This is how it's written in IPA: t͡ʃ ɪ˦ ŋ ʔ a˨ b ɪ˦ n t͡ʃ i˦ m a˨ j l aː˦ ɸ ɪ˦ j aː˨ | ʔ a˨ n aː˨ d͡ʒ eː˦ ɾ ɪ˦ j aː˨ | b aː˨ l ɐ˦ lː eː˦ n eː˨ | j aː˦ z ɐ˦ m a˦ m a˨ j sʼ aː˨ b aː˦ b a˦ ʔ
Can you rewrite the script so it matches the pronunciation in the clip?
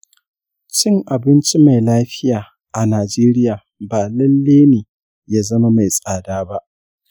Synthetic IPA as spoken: t͡ʃ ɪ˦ ŋ ʔ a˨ b ɪ˦ n t͡ʃ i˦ m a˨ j l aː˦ ɸ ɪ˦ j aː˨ | ʔ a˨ n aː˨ d͡ʒ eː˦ ɾ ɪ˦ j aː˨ | b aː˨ l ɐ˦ lː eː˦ n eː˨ | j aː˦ z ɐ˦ m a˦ m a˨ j sʼ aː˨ d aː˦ b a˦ ʔ